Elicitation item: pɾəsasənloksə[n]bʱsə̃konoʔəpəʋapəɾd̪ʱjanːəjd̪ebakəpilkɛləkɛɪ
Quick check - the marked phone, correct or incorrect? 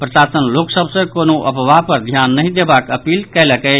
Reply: incorrect